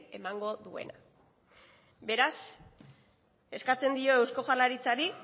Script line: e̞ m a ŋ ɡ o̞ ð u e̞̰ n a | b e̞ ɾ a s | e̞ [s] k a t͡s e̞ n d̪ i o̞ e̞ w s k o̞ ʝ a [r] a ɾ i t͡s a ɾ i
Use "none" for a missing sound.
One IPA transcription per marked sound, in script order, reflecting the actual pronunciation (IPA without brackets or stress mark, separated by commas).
s, l